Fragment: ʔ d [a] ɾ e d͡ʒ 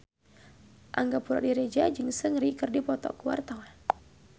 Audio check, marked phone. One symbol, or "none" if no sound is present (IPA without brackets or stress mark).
i